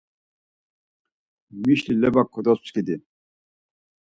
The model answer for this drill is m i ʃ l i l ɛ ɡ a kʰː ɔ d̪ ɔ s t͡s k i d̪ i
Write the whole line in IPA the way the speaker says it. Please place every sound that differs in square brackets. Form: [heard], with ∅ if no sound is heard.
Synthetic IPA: m i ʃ l i l ɛ [b] a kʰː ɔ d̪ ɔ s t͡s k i d̪ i